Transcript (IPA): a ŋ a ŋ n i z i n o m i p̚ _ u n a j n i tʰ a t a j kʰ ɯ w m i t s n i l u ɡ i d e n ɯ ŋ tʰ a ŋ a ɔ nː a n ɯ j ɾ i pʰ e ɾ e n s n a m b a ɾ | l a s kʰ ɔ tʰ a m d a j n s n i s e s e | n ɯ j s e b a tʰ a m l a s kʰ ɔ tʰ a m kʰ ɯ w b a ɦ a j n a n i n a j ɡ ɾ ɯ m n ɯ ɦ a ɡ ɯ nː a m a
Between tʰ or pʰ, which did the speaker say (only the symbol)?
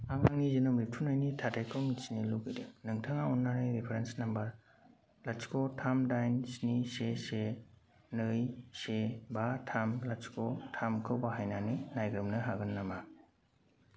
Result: tʰ